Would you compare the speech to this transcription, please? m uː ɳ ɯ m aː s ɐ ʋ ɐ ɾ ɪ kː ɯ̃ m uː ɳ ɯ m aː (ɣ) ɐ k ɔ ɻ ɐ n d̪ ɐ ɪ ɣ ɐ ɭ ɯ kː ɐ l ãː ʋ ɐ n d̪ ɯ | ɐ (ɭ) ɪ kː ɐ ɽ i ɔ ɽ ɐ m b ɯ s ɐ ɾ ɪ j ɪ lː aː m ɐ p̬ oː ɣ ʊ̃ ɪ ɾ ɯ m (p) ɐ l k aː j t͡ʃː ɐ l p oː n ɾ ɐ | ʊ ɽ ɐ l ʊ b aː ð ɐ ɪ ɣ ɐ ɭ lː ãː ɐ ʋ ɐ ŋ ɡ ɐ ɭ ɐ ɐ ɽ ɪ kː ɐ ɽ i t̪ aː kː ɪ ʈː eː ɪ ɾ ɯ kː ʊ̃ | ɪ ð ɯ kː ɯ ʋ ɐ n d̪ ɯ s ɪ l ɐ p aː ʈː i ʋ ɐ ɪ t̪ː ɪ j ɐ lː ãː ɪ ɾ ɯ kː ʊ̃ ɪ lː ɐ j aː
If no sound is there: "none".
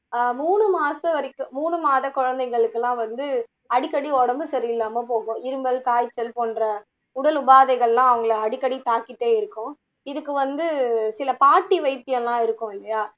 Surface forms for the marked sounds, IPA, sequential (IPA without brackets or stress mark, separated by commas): ð, ɽ, b